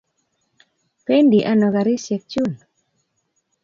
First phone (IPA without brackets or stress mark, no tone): p